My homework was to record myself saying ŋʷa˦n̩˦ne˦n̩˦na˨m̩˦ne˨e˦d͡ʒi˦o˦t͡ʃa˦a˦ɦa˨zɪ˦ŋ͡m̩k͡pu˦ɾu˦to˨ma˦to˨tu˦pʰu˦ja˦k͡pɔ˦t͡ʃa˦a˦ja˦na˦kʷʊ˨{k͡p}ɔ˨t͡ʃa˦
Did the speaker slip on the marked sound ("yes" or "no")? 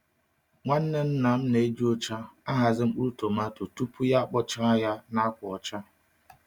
yes